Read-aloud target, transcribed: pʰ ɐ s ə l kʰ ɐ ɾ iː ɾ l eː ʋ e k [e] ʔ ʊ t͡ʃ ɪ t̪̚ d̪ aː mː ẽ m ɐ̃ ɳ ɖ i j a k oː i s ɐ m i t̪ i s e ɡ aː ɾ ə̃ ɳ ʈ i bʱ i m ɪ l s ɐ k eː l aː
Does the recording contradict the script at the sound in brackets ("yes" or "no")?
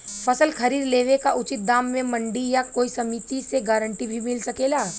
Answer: yes